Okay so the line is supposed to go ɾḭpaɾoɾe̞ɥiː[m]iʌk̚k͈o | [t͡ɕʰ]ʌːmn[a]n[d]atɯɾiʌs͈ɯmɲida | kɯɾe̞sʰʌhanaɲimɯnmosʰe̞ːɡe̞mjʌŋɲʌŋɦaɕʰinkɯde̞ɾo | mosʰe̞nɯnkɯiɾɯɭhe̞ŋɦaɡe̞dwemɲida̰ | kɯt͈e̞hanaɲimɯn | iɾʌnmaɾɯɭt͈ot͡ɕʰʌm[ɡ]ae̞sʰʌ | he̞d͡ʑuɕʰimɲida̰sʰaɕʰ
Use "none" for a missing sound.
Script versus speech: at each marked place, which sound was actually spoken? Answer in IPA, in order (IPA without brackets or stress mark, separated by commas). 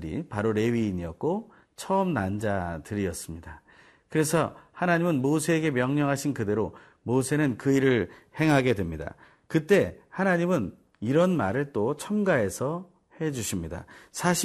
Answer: ɲ, t͡ɕʰ, a, d͡ʑ, ɡ